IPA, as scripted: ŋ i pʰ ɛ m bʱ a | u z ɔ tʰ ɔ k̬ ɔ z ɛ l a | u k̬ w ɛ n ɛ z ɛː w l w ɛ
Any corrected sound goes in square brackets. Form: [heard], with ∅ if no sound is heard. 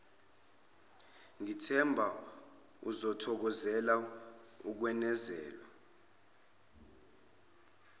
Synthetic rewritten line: ŋ i [tʰ] ɛ m bʱ a | u z ɔ tʰ ɔ k̬ ɔ z ɛ l a | u k̬ w ɛ n ɛ z ɛː [∅] l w [a]